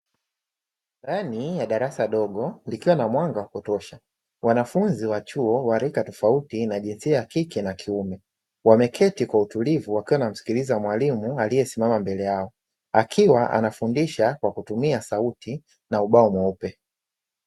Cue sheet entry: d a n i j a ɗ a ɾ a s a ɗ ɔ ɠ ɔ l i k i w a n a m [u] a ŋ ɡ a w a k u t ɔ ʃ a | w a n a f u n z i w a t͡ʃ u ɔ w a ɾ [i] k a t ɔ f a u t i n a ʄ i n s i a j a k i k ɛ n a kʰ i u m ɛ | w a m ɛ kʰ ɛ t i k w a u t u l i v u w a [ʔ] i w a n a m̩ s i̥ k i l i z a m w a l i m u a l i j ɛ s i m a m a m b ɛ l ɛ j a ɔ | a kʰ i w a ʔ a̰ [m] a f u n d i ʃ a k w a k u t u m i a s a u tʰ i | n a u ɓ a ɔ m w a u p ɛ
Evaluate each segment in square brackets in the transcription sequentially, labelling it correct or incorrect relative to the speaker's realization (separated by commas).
incorrect, correct, incorrect, incorrect